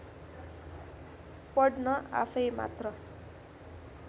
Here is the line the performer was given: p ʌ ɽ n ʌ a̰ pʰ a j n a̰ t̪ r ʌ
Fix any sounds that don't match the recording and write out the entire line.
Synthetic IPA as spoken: p ʌ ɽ n ʌ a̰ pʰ ʌ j m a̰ t̪ r ʌ

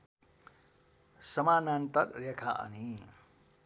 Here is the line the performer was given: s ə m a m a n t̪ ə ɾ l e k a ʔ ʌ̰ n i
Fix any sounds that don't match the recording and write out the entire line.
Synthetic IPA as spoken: s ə m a n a n t̪ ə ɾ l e kʰ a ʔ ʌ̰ n i

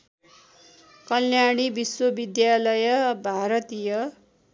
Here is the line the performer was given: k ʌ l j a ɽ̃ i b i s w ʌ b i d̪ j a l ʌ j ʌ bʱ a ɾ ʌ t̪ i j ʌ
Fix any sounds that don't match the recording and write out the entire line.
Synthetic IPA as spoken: k ʌ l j a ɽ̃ i b i s w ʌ b i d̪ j a l ʌ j ʌ bʱ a ɾ ʌ t̪ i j ʌ

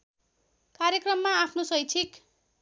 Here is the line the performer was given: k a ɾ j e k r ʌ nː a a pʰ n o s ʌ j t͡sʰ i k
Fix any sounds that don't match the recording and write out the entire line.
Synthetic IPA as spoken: k a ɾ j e k r ʌ mː a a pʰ n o s ʌ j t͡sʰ i k

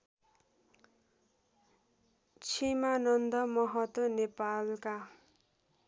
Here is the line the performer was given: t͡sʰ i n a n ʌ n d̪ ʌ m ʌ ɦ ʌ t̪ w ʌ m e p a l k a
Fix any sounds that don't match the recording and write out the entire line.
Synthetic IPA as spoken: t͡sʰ i m a n ʌ n d̪ ʌ m ʌ ɦ ʌ t̪ w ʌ n e p a l k a

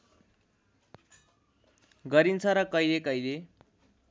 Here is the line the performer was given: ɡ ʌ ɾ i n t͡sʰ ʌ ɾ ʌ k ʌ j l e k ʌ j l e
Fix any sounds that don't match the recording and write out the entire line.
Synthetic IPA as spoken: ɡ ʌ ɾ i n t͡sʰ ʌ ɾ ʌ k ʌ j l e k ʌ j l e

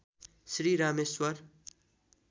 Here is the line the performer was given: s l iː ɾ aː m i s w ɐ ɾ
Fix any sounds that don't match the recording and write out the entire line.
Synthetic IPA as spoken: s ɾ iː ɾ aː m e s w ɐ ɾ

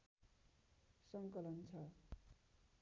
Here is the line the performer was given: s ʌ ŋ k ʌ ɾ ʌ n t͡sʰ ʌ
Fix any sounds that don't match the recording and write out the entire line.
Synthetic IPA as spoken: s ʌ ŋ k ʌ l ʌ n t͡sʰ ʌ

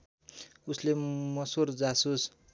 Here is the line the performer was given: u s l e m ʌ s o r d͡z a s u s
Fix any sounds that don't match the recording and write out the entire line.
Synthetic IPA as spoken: u s l e m ʌ s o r d͡z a s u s

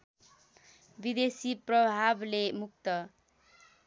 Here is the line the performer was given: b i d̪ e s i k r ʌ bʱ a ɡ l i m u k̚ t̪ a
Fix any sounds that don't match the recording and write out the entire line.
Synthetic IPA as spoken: b i d̪ e s i p r ʌ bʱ a b l e m u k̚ t̪ ʌ

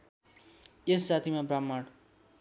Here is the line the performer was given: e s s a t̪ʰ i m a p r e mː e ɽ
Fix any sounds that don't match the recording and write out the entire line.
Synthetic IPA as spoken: e s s a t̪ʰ i m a b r a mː a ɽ

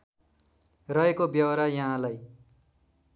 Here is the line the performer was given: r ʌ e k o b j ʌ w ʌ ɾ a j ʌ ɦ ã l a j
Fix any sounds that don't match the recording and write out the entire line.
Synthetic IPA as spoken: r ʌ e k o b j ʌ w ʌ ɾ a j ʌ ɦ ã l a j

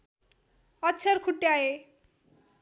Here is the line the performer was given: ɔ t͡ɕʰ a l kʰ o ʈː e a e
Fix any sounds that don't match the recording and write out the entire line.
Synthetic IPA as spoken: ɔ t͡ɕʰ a ɾ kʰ u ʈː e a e

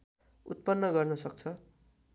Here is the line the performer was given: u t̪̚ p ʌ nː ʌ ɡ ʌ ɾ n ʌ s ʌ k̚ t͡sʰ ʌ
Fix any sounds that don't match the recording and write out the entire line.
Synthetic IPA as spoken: u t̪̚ p ʌ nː ʌ ɡ ʌ r n ʌ s ʌ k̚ t͡sʰ ʌ

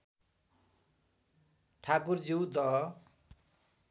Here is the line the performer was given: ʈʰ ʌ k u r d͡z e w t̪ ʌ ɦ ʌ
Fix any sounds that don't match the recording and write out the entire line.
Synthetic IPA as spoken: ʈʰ a k u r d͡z i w d̪ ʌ ɦ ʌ

